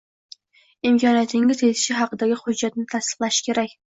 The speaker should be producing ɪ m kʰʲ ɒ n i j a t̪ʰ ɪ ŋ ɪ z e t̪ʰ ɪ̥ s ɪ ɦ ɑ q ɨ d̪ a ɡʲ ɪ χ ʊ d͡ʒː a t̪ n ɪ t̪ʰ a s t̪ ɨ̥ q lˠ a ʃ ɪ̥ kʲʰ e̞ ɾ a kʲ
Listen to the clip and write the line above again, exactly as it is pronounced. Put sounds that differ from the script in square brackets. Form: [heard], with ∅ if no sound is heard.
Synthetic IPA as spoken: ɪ m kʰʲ ɒ n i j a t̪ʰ ɪ ŋ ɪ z e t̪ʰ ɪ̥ [ʃ] ɪ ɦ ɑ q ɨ d̪ a ɡʲ ɪ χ ʊ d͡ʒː a t̪ n ɪ t̪ʰ a s t̪ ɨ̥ q lˠ a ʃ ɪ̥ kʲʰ e̞ ɾ a kʲ

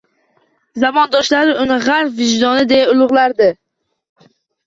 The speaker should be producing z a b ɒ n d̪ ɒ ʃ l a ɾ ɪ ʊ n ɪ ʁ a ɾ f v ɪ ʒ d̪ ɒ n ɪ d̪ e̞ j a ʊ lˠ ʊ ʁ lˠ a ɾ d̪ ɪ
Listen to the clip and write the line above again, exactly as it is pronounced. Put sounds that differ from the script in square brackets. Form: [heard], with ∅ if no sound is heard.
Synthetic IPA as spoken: z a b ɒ n d̪ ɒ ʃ l a ɾ ɪ ʊ n ɪ ʁ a ɾ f v ɪ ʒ d̪ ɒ n ɪ d̪ e̞ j a ʊ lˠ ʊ ʁ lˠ a ɾ d̪ ɪ

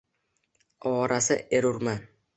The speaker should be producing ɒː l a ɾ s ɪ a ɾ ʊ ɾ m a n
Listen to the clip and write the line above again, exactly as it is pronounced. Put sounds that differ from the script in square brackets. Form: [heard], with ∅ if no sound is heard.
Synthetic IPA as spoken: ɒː [ɾ] a [∅] s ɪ [e] ɾ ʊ ɾ m a n

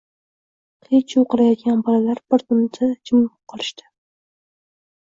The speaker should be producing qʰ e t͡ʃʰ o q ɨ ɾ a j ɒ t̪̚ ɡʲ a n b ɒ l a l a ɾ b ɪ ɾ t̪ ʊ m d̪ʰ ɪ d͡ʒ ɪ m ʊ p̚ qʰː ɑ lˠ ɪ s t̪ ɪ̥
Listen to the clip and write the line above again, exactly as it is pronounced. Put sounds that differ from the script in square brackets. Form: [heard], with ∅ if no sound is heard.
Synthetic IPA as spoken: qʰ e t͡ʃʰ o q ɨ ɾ a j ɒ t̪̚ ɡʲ a n b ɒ l a l a ɾ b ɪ ɾ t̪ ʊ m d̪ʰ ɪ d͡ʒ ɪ m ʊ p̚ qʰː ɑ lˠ ɪ [ʃ] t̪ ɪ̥

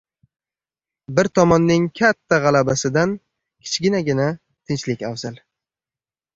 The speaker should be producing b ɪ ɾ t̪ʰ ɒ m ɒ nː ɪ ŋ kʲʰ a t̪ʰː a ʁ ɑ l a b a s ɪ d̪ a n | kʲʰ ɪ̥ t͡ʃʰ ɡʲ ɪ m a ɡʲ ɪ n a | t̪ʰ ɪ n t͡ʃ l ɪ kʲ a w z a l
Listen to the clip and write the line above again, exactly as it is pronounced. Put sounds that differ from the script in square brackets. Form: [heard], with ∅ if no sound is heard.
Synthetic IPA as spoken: b ɪ ɾ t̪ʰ ɒ m ɒ nː ɪ ŋ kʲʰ a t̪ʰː a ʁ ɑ l a b a s ɪ d̪ a n | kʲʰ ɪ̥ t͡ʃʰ ɡʲ ɪ [n] a ɡʲ ɪ n a | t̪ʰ ɪ n t͡ʃ l ɪ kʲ a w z a l

